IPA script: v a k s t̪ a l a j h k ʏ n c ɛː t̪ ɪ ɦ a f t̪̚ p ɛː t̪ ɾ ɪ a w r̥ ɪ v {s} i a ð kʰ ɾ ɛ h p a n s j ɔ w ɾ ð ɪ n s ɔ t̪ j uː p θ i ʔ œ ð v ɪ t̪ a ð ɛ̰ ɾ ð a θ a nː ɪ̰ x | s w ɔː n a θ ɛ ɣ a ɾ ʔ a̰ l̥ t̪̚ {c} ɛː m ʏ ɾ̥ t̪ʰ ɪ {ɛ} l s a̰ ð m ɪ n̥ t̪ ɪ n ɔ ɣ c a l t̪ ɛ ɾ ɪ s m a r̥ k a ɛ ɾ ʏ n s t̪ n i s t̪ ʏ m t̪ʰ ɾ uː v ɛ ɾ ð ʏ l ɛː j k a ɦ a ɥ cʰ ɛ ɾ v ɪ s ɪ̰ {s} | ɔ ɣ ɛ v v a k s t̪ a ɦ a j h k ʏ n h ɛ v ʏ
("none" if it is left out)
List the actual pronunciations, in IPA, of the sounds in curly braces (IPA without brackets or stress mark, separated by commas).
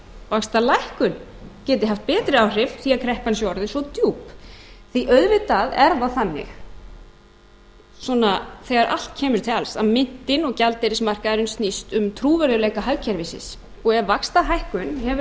θ, cʰ, a, s